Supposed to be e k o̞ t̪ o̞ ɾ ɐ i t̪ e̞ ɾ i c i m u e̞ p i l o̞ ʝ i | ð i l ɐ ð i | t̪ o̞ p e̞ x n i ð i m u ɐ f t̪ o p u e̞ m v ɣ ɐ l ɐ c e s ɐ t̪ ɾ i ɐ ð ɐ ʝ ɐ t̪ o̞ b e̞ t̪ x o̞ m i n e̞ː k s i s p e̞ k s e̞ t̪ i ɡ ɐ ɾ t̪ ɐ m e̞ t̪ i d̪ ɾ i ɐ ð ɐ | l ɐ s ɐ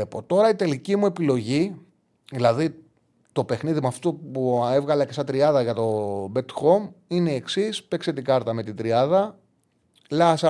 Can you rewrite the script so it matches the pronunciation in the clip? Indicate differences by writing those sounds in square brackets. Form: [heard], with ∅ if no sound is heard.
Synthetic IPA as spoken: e [p] o̞ t̪ o̞ ɾ ɐ i t̪ e̞ [l] i c i m u e̞ p i l o̞ ʝ i | ð i l ɐ ð i | t̪ o̞ p e̞ x n i ð i m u ɐ f t̪ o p u e̞ [∅] v ɣ ɐ l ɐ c e s ɐ t̪ ɾ i ɐ ð ɐ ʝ ɐ t̪ o̞ b e̞ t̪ x o̞ m i n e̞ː k s i s p e̞ k s e̞ t̪ i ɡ ɐ ɾ t̪ ɐ m e̞ t̪ i d̪ ɾ i ɐ ð ɐ | l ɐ s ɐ